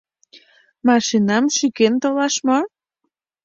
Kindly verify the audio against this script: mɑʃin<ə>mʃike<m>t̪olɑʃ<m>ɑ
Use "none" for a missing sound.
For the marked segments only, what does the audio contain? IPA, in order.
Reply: ɑ, n, m

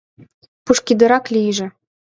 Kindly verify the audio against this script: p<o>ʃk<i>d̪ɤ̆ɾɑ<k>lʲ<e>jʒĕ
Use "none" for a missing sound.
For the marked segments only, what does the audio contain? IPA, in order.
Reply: u, i, k, i

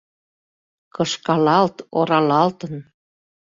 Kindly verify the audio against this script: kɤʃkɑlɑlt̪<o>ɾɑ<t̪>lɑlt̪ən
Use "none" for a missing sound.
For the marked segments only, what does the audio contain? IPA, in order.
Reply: o, none

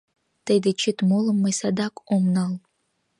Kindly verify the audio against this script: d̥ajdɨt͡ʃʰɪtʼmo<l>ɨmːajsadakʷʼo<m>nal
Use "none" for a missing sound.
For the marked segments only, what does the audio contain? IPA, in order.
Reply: l, m

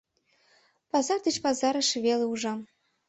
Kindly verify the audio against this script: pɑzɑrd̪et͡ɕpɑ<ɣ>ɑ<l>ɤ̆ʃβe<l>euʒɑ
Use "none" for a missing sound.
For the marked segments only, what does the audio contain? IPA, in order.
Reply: z, ɾ, l

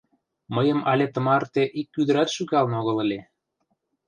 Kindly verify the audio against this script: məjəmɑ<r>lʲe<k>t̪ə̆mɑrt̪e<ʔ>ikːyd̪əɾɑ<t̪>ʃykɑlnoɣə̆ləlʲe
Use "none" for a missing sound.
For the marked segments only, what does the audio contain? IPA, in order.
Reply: none, none, ʔ, t̪

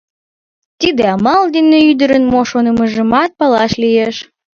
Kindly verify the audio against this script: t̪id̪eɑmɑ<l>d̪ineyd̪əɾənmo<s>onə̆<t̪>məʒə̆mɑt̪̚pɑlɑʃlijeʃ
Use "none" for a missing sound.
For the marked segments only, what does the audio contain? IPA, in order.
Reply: l, ʃ, none

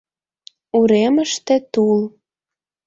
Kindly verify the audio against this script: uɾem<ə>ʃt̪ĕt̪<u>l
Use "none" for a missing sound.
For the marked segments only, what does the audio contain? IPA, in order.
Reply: ə, u

